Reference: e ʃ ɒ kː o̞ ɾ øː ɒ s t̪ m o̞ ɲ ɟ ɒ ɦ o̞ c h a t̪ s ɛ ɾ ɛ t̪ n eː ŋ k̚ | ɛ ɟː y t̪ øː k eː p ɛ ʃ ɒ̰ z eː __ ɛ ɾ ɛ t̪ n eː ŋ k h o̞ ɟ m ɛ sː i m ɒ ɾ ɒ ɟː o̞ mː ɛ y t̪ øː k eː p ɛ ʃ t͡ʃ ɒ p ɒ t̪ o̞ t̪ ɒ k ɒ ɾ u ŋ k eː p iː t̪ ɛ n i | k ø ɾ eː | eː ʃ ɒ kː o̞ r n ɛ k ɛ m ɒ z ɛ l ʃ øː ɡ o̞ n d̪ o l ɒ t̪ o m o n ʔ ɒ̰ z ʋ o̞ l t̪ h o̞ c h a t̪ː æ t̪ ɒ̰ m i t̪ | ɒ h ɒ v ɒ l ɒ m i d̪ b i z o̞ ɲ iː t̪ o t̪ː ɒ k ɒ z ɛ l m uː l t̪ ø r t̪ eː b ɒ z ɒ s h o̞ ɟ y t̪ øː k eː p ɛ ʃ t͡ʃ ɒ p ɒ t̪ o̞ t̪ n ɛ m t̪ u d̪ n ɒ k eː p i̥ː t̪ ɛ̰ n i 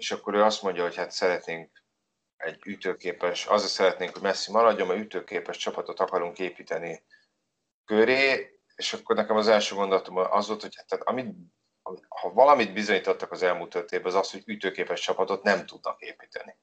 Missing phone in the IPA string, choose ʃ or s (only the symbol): s